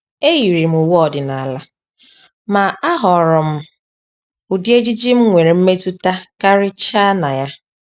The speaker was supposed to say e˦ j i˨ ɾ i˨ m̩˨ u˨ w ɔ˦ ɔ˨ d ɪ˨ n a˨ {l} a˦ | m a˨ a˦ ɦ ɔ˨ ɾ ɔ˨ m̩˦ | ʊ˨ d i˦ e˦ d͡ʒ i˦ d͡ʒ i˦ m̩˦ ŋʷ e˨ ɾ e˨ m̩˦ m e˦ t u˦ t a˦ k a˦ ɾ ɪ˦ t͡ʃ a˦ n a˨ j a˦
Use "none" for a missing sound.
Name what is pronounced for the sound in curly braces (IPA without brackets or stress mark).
l